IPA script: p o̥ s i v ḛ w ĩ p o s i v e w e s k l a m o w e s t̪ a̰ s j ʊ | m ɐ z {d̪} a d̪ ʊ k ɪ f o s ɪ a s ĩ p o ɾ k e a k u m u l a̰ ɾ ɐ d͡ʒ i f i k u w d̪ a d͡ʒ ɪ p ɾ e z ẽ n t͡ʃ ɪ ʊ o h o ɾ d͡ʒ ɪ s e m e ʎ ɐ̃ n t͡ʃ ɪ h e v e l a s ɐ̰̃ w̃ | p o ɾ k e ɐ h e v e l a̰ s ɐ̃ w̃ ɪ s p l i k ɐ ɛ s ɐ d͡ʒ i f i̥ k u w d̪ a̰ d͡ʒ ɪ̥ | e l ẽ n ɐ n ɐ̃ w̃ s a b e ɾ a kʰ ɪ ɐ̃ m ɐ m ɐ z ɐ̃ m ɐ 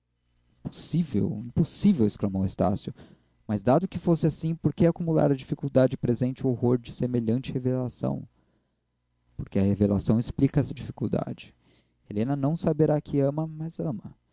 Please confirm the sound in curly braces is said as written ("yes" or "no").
yes